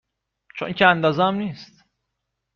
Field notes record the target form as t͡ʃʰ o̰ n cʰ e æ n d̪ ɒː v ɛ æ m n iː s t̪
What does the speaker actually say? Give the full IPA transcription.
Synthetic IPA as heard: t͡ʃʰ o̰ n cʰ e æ n d̪ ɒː z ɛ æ m n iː s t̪